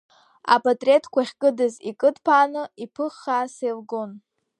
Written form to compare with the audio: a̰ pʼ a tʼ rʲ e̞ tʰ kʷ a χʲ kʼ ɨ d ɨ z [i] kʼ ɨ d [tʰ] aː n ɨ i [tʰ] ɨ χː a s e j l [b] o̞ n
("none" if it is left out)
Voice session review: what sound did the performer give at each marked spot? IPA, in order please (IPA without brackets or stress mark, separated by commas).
i, pʰ, pʰ, ɡ